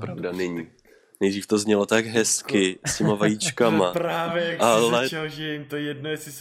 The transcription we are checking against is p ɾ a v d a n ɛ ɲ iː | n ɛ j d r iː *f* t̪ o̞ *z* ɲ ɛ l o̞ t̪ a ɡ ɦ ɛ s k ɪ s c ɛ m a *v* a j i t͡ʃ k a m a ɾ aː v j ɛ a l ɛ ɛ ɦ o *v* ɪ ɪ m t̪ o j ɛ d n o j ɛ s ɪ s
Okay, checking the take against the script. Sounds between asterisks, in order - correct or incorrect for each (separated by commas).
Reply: correct, correct, correct, incorrect